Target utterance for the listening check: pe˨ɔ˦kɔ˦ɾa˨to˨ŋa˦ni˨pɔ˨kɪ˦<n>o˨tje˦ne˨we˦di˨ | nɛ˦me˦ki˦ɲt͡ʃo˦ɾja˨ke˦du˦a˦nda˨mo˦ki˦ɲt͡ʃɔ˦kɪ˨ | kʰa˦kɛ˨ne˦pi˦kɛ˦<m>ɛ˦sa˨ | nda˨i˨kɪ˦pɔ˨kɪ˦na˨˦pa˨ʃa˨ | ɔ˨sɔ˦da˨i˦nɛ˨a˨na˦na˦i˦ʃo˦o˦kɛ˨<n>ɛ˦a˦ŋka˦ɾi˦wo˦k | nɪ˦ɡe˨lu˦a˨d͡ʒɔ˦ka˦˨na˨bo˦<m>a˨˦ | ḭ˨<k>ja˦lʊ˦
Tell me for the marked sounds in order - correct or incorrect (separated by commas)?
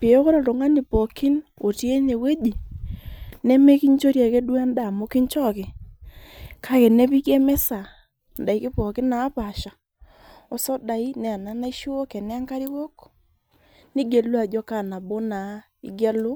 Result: correct, correct, correct, incorrect, incorrect